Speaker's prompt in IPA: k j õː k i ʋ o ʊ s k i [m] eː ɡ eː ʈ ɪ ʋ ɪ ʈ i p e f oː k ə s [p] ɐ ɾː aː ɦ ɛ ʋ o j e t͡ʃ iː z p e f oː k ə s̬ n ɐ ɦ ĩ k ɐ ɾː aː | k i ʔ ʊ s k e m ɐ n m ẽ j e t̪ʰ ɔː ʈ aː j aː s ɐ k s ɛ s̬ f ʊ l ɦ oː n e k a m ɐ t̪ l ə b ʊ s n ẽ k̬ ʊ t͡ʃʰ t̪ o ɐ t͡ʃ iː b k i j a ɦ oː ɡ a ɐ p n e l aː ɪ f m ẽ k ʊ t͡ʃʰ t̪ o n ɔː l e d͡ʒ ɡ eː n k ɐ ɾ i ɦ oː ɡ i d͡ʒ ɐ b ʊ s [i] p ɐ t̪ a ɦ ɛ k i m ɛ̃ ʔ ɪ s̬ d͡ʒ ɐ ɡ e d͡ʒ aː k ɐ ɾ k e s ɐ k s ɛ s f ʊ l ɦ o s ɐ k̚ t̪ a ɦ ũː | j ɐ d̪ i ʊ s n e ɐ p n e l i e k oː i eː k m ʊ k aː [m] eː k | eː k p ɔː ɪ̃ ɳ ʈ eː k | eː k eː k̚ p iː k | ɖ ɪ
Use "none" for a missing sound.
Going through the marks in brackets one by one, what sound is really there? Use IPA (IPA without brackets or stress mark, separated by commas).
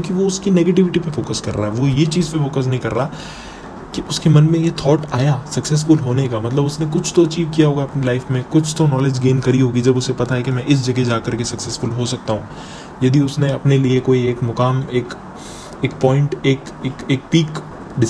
n, k, e, m